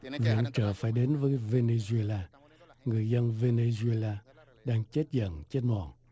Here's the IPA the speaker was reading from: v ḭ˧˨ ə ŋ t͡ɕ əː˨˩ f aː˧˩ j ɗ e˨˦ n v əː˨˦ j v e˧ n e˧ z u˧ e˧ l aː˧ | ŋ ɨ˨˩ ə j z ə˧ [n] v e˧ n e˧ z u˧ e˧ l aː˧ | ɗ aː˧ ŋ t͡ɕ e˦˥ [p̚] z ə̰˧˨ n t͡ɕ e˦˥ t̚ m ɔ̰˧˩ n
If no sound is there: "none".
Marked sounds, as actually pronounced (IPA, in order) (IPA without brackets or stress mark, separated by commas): n, t̚